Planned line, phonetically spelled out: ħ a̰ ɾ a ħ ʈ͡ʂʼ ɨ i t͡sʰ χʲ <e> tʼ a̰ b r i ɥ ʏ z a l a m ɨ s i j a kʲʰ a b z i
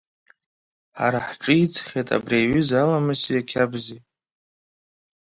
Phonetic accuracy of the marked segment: correct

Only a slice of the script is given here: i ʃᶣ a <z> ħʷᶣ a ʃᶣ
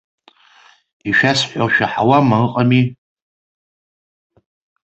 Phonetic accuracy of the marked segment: incorrect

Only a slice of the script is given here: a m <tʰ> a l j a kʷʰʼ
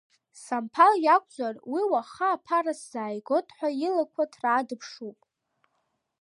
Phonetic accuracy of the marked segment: incorrect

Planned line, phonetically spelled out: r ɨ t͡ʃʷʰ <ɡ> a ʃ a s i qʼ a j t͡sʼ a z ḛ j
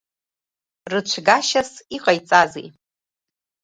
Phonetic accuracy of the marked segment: correct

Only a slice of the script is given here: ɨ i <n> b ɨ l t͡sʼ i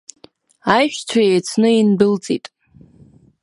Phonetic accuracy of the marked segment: correct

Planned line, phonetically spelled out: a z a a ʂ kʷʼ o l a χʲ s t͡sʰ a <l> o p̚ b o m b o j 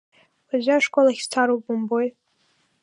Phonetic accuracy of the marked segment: incorrect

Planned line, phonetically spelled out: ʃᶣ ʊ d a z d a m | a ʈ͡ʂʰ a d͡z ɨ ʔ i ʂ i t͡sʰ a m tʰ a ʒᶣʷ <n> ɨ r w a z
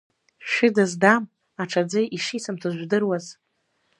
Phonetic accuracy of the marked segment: incorrect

